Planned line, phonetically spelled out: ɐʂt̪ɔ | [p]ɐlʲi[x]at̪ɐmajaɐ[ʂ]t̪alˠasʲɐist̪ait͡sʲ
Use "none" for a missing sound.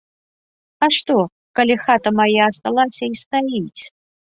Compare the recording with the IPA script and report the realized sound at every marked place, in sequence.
k, x, s

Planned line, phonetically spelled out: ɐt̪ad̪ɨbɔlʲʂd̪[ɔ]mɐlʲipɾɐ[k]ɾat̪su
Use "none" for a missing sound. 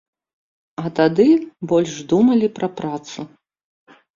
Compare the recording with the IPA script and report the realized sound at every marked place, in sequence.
u, p

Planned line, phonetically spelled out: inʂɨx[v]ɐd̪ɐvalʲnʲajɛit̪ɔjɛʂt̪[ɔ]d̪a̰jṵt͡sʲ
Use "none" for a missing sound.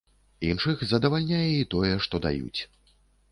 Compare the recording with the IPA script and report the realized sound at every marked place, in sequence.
z, ɔ

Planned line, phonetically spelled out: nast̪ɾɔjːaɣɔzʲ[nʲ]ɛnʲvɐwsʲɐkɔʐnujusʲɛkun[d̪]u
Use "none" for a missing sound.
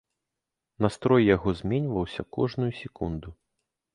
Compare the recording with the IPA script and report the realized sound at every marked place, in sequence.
mʲ, d̪

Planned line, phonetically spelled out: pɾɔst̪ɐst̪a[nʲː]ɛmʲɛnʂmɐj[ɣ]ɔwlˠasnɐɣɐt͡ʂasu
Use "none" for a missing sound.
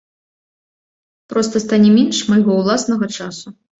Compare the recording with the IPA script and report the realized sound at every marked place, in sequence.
nʲ, ɣ

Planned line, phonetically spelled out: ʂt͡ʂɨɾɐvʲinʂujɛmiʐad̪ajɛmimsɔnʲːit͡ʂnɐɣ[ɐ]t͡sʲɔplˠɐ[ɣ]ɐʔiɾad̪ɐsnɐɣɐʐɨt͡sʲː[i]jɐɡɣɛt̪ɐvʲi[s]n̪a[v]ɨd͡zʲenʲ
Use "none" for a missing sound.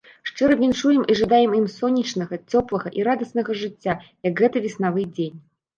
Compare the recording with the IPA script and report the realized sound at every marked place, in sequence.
ɐ, ɣ, a, s, v

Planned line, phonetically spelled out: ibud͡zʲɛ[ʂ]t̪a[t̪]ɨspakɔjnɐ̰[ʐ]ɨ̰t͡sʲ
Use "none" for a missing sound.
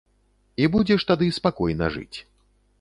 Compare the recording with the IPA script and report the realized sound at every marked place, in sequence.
ʂ, d̪, ʐ

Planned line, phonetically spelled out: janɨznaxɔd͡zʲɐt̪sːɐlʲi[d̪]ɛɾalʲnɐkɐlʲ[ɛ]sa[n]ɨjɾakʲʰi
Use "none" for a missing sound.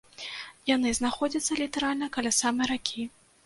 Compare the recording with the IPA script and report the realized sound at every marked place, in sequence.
t̪, a, m

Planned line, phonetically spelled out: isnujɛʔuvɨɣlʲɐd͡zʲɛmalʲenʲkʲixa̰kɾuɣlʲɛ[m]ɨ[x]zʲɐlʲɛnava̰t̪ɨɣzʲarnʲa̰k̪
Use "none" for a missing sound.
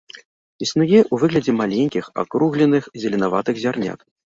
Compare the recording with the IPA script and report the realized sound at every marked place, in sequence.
n, x

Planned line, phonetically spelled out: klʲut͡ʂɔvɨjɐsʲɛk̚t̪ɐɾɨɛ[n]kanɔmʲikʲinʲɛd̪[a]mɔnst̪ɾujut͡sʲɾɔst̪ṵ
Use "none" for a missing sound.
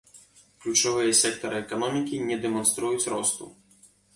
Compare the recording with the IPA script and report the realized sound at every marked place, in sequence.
none, ɛ

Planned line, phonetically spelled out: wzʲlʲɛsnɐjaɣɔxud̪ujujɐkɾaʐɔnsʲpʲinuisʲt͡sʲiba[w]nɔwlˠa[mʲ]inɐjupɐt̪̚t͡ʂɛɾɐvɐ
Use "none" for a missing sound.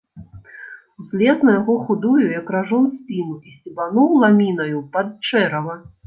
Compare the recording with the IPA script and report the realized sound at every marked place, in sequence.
none, mʲ

